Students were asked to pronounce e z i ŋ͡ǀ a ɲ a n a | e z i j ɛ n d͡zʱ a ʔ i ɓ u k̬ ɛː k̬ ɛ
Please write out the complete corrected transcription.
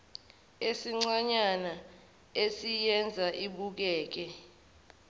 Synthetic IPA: e s i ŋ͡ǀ a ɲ a n a | e s i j ɛ n d͡zʱ a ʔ i ɓ u k̬ ɛː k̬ ɛ